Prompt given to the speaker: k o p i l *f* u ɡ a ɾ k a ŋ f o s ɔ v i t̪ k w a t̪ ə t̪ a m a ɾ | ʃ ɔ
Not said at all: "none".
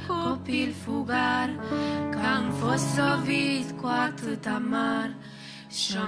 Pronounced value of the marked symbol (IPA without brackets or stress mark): f